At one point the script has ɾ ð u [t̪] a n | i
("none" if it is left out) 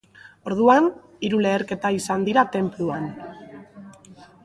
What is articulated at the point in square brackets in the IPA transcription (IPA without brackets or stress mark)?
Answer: none